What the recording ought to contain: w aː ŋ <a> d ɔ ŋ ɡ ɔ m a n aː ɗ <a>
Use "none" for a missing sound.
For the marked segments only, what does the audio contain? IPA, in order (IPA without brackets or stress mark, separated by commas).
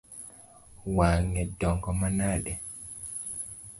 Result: ɛ, ɛ